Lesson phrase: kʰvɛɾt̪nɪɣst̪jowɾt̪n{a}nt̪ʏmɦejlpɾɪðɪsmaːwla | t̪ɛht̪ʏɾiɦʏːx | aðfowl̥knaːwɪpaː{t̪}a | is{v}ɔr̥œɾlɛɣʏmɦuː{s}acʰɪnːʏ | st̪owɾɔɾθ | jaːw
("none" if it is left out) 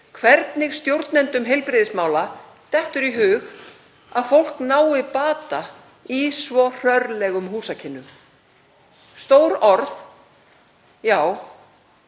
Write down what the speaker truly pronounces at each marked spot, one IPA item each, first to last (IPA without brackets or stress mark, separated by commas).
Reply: ɛ, t̪, v, s